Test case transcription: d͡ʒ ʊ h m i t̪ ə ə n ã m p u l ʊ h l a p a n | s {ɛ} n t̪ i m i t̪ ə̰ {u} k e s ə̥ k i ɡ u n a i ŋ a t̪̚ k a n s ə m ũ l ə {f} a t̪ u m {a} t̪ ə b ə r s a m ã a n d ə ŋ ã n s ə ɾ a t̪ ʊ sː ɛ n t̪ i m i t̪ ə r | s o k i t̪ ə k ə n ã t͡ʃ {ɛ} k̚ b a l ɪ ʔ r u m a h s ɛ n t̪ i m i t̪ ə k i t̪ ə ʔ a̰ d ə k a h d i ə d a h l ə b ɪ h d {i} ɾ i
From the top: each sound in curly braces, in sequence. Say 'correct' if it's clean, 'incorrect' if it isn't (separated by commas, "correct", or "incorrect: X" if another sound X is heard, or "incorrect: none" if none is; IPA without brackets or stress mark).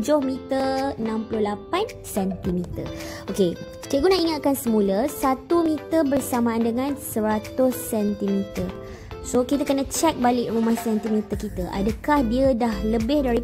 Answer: correct, incorrect: o, incorrect: s, incorrect: i, correct, incorrect: a